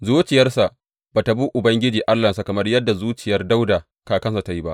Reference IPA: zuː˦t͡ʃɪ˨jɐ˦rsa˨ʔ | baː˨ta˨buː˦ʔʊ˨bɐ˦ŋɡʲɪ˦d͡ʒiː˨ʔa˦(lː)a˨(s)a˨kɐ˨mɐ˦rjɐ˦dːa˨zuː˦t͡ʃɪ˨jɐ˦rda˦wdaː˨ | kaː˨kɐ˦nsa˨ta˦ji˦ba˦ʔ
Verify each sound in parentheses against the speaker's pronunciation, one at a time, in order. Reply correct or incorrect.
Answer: correct, correct

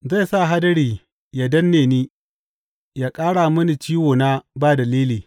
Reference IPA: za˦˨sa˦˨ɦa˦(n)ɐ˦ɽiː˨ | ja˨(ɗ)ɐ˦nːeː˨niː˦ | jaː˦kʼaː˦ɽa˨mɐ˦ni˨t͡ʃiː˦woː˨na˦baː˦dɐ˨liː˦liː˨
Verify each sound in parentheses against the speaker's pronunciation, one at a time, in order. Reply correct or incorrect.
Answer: incorrect: d, incorrect: d

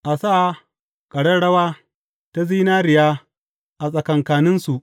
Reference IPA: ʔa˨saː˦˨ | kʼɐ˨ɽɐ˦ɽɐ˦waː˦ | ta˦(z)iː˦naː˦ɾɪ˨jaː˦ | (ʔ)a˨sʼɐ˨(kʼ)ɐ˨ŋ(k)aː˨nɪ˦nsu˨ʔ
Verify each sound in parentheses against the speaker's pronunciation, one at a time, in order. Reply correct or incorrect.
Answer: correct, correct, incorrect: k, correct

